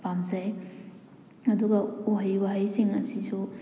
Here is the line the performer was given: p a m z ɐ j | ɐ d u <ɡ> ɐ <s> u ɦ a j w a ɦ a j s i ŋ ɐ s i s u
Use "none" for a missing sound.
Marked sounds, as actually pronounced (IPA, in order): ɡ, none

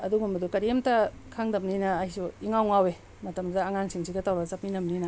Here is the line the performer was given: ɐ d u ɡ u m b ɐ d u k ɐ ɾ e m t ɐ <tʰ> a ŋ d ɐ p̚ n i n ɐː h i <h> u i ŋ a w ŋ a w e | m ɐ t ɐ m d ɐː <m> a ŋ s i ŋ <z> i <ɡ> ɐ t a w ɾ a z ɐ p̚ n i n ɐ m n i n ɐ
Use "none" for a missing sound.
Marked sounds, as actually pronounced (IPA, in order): kʰ, s, ŋ, s, ɡ

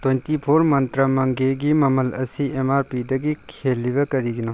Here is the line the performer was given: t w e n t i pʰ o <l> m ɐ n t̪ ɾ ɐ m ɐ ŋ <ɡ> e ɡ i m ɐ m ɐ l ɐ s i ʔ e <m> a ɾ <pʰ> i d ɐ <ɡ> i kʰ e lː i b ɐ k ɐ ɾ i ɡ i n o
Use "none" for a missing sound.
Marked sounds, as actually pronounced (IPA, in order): ɾ, ɡ, m, p, ɡ

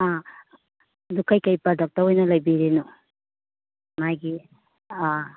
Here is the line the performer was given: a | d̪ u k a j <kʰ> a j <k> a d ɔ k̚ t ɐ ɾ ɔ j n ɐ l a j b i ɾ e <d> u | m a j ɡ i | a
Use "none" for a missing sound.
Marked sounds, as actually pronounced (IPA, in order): k, p, n

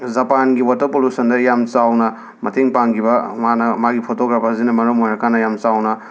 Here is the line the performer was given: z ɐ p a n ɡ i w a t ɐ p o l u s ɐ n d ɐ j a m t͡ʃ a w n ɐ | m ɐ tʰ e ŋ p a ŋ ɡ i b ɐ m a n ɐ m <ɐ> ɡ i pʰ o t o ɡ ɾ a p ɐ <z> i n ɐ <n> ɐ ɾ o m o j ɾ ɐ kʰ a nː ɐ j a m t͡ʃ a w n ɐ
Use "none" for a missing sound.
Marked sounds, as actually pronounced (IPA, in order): a, z, m

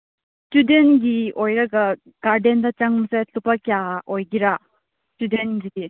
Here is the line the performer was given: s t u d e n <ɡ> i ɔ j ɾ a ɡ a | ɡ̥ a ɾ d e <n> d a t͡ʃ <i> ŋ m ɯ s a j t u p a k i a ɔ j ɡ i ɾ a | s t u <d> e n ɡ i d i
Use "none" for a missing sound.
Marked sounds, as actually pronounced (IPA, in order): ɡ, n, a, d

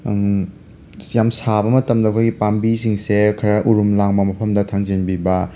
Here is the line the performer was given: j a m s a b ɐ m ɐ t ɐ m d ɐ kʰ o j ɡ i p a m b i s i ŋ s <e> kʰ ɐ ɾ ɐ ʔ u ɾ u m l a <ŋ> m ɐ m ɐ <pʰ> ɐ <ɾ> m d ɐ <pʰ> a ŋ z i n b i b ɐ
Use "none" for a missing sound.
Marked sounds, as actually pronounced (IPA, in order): e, ŋ, pʰ, none, tʰ

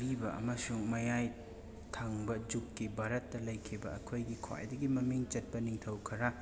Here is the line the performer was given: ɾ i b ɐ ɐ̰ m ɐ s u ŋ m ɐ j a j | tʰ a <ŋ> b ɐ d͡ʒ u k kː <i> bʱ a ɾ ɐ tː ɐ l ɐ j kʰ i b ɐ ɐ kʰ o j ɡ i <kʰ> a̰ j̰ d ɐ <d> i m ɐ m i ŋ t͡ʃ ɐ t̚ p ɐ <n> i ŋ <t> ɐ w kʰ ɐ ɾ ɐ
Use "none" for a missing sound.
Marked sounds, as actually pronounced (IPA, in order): ŋ, i, kʰ, ɡ, n, tʰ

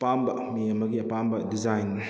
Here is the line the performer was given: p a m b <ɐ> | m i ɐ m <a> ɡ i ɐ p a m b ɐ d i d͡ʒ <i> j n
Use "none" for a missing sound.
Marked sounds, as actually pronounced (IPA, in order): ɐ, ɐ, a

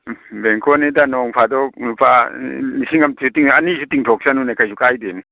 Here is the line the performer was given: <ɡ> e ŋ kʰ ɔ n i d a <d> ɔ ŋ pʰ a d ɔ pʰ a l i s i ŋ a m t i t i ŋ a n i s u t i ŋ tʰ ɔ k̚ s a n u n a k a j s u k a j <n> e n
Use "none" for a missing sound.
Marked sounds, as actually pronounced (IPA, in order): b, n, d

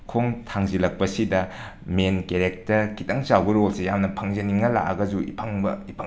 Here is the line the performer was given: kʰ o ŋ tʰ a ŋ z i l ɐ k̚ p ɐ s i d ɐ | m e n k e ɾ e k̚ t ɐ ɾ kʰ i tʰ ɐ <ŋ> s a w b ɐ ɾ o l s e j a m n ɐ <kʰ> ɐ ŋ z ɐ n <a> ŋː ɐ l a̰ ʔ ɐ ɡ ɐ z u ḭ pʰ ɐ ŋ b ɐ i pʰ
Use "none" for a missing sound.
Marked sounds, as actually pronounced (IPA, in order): ŋ, pʰ, i

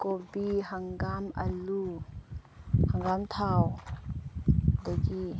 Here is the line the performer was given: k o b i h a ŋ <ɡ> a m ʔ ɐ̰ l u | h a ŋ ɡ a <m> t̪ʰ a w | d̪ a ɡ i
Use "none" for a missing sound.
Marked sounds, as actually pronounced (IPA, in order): ɡ, m

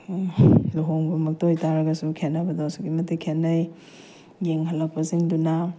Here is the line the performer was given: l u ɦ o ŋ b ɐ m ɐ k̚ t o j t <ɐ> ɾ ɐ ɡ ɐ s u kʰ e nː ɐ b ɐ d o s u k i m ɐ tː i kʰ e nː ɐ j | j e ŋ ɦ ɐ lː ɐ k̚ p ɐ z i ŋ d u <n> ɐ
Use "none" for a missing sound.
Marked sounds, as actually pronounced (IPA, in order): a, n

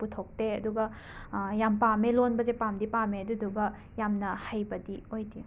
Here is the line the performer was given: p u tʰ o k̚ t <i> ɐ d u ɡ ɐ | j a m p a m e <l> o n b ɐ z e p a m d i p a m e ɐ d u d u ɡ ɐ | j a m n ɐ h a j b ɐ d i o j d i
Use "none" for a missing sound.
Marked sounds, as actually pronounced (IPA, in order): e, l

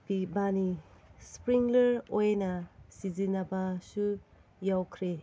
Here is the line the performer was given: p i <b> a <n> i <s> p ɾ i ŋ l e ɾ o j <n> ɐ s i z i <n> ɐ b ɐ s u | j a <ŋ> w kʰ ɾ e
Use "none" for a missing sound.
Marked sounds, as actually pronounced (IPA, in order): b, n, s, n, n, none

